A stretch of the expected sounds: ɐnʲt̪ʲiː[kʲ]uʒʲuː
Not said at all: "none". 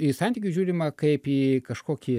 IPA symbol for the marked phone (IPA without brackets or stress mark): kʲ